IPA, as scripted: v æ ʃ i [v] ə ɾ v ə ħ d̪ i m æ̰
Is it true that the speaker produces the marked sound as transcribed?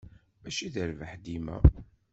no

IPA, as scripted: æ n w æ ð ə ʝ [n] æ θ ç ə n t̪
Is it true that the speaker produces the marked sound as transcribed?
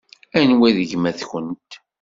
no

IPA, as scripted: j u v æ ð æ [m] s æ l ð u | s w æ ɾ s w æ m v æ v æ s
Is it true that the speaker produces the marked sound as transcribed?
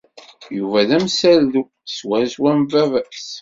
yes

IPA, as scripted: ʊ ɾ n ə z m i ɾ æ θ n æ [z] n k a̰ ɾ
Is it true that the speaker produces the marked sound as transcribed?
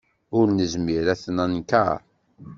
no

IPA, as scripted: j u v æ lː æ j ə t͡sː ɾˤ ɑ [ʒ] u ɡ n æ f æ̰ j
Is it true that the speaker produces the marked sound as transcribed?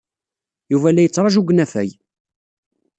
yes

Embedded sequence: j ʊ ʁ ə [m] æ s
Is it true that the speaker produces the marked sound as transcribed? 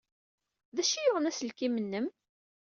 no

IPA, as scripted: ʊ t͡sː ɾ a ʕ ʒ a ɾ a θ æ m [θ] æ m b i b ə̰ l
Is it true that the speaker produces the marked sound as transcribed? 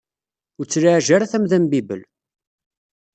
no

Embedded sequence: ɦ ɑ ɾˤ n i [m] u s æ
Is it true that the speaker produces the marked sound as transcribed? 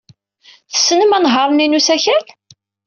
no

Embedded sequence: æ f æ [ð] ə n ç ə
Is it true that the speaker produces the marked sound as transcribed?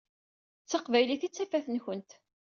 no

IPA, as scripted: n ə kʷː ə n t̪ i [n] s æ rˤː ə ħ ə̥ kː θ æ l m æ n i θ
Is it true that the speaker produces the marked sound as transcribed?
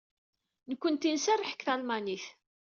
yes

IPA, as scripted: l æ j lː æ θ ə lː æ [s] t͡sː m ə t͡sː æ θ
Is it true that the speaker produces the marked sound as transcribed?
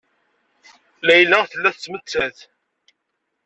no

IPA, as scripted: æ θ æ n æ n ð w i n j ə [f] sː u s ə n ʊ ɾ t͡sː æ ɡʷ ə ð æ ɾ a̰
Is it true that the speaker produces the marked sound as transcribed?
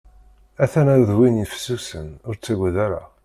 yes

